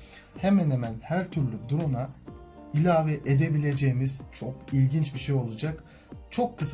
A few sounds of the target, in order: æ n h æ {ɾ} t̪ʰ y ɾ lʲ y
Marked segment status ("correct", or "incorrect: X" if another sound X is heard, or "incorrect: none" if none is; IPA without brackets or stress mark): correct